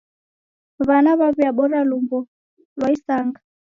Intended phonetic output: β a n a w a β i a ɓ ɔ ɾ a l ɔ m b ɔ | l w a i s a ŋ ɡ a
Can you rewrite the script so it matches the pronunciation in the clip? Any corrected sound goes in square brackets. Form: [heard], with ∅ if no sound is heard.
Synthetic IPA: β a n a [β] a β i a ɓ ɔ ɾ a l [u] m b ɔ | l w a i s a ŋ ɡ a

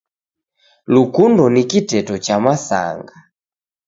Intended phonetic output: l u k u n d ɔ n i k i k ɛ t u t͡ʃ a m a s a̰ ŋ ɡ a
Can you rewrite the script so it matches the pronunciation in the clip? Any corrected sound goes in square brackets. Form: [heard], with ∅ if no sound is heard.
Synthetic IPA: l u k u n d ɔ n i k i [t] ɛ t [ɔ] t͡ʃ a m a s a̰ ŋ ɡ a

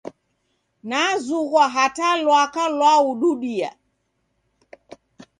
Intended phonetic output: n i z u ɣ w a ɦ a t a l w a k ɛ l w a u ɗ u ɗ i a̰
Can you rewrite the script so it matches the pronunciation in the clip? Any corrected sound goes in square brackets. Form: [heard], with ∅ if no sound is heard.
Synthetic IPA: n [a] z u ɣ w a ɦ a t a l w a k [a] l w a u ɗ u ɗ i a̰

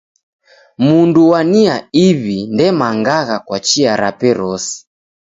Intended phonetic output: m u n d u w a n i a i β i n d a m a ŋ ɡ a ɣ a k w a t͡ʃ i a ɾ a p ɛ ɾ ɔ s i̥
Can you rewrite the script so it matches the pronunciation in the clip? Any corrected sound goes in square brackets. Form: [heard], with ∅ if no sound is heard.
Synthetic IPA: m u n d u w a n i a i β i n d [ɛ] m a ŋ ɡ a ɣ a k w a t͡ʃ i a ɾ a p ɛ ɾ ɔ s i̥

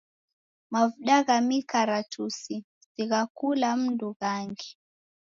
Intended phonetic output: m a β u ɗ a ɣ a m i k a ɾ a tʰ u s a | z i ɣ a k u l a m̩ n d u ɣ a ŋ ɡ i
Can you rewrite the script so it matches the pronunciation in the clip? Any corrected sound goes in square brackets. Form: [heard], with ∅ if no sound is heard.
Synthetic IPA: m a [v] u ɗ a ɣ a m i k a ɾ a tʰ u s [i] | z i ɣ a k u l a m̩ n d u ɣ a ŋ ɡ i

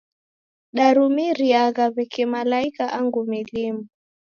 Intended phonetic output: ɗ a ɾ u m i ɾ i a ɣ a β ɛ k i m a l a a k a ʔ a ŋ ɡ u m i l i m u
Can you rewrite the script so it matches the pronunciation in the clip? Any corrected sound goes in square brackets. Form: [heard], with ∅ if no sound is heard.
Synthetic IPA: ɗ a ɾ u m i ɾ i a ɣ a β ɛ k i m a l a [i] k a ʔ a ŋ ɡ u m i l i m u

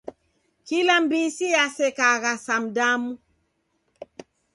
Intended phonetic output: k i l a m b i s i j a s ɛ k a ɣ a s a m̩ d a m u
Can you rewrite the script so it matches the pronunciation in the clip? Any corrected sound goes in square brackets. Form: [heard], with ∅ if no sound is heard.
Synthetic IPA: k i l a m b i s i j a s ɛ k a ɣ a s a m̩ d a m u

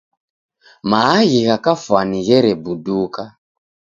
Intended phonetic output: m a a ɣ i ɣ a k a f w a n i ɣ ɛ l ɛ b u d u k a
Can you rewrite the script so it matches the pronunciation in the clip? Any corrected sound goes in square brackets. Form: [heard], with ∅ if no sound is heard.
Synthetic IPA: m a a ɣ i ɣ a k a f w a n i ɣ ɛ [ɾ] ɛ b u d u k a

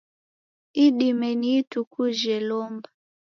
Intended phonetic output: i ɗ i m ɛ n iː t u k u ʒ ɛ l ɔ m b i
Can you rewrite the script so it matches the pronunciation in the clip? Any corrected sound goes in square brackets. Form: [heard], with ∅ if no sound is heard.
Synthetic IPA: i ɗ i m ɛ n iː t u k u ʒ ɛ l ɔ m b [a]

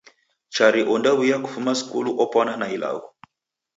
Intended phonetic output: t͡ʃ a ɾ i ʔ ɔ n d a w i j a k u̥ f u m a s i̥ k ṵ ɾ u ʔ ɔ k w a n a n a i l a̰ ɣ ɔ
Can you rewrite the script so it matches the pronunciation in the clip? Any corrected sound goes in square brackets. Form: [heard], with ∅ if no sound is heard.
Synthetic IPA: t͡ʃ a ɾ i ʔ ɔ n d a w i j a k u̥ f u m a s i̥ k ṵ [l] u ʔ ɔ [p] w a n a n a i l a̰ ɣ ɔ

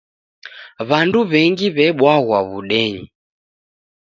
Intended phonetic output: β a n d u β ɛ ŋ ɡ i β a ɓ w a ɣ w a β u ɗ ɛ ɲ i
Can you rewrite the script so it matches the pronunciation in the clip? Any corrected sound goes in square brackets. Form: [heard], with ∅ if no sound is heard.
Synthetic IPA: β a n d u β ɛ ŋ ɡ i β [ɛ] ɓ w a ɣ w a β u ɗ ɛ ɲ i

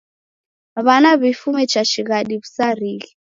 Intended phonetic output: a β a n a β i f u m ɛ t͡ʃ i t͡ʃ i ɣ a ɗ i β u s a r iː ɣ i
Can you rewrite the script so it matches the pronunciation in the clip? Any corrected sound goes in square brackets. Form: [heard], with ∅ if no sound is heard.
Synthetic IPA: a β a n a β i f u m ɛ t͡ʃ [a] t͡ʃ i ɣ a ɗ i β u s a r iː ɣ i

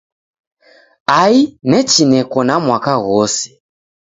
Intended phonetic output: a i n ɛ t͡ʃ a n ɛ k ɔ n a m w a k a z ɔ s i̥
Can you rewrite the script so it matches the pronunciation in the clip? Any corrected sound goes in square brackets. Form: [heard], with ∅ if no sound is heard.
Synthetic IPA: a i n ɛ t͡ʃ [i] n ɛ k ɔ n a m w a k a [ɣ] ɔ s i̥

